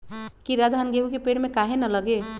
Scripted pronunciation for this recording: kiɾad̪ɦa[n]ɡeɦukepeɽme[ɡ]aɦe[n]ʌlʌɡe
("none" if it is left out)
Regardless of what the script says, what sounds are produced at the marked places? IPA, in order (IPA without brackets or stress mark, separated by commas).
n, k, n